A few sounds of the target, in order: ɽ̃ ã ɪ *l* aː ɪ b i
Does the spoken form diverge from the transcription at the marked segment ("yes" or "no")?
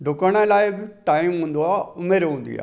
no